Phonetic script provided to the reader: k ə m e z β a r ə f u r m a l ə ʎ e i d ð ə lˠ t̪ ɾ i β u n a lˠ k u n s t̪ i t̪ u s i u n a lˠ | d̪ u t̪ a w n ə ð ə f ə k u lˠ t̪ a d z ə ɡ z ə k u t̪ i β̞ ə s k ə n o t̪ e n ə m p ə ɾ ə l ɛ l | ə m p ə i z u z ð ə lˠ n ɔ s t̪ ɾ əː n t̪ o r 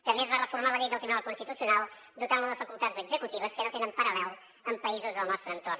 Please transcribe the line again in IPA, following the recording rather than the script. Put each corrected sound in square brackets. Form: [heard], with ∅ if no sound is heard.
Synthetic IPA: k ə m e z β a r ə f u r m a l ə ʎ e [j] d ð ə lˠ t̪ ɾ i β u n a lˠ k u n s t̪ i t̪ u s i u n a lˠ | d̪ u t̪ a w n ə ð ə f ə k u lˠ t̪ a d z ə ɡ z ə k u t̪ i β̞ ə s k ə n o t̪ e n ə m p ə ɾ ə l ɛ l | ə m p ə i z u z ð ə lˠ n ɔ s t̪ ɾ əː n t̪ o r